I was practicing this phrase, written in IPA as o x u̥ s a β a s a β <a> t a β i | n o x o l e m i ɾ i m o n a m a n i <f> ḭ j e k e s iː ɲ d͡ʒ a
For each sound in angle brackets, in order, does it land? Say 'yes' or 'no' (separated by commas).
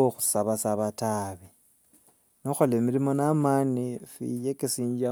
yes, yes